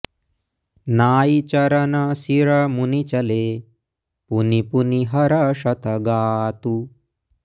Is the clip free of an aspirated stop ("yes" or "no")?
yes